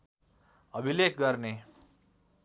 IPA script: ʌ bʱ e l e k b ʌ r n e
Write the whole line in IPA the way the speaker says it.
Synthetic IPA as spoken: ʌ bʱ i l e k ɡ ʌ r n e